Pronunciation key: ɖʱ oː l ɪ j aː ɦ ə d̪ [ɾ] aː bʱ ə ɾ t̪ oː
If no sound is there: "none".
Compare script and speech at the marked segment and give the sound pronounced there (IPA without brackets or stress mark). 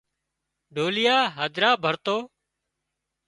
ɾ